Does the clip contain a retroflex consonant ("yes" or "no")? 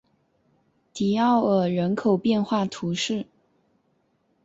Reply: yes